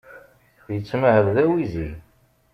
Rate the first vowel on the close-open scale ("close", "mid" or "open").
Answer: mid